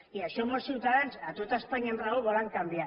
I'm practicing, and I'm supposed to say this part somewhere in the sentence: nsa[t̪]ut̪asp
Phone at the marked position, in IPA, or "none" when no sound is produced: t̪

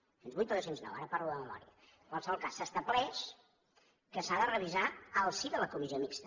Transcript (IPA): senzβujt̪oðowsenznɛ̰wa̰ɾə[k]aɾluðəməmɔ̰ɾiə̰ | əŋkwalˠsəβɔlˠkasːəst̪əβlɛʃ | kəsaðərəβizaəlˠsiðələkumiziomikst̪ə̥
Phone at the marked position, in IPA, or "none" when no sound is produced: p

